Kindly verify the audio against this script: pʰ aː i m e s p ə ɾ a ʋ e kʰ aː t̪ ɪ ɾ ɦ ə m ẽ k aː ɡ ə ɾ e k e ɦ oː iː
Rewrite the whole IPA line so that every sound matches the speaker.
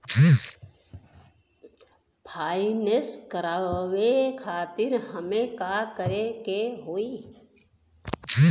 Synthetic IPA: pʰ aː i n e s k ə ɾ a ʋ e kʰ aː t̪ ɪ ɾ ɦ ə m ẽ k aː k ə ɾ e k e ɦ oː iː